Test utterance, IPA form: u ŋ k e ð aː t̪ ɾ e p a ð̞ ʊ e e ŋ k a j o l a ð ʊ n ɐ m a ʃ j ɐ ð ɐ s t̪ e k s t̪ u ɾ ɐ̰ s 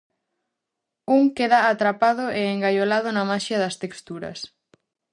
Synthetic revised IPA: u ŋ k e ð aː t̪ ɾ a p a ð̞ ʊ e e ŋ ɡ a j o l a ð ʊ n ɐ m a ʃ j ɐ ð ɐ s t̪ e k s t̪ u ɾ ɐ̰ s

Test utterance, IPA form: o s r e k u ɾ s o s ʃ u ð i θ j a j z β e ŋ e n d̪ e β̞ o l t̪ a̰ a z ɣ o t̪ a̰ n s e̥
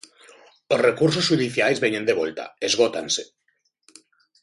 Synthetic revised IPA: o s r e k u ɾ s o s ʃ u ð i θ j a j z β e ɲ e n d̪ e β̞ o l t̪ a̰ e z ɣ o t̪ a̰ n s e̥

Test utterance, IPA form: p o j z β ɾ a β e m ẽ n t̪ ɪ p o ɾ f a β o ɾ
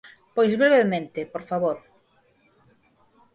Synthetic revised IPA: p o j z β ɾ e β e m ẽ n t̪ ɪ p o ɾ f a β o ɾ

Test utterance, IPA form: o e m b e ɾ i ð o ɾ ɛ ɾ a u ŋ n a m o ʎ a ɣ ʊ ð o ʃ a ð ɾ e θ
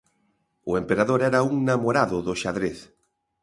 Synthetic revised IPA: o e m p e ɾ a ð o ɾ ɛ ɾ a u ŋ n a m o ɾ a ð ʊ ð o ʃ a ð ɾ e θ

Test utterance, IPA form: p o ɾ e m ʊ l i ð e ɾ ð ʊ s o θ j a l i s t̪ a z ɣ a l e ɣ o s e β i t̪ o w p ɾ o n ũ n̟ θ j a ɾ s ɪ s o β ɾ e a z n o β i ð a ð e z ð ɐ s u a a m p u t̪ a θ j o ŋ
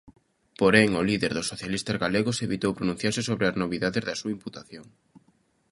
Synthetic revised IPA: p o ɾ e ŋ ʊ l i ð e ɾ ð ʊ s o θ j a l i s t̪ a z ɣ a l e ɣ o s e β i t̪ o w p ɾ o n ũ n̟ θ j a ɾ s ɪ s o β ɾ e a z n o β i ð a ð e z ð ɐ s u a i m p u t̪ a θ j o ŋ

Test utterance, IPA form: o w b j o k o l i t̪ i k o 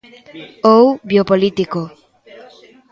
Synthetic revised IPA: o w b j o p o l i t̪ i k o

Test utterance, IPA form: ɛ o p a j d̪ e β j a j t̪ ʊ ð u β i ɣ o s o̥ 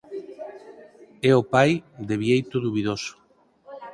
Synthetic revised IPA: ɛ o p a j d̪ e β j e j t̪ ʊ ð u β i ð o s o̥

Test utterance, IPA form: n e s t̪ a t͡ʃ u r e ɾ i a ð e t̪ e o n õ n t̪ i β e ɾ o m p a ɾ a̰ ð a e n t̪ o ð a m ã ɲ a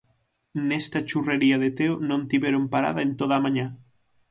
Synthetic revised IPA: n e s t̪ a t͡ʃ u r e ɾ i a ð e t̪ e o n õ n t̪ i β e ɾ o m p a ɾ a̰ ð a e n t̪ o ð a m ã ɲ a

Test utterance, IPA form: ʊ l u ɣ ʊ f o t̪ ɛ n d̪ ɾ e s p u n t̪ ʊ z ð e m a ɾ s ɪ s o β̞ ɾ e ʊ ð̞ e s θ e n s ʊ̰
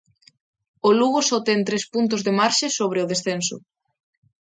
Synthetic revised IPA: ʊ l u ɣ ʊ s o t̪ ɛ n t̪ ɾ e s p u n t̪ ʊ z ð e m a ɾ ʃ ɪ s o β̞ ɾ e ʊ ð̞ e s θ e n s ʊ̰

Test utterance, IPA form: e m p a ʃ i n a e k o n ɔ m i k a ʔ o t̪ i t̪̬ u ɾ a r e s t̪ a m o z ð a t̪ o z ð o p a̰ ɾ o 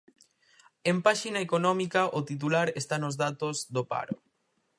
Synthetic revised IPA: e m p a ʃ i n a e k o n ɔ m i k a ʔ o t̪ i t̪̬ u l a ɾ e s t̪ a n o z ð a t̪ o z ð o p a̰ ɾ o

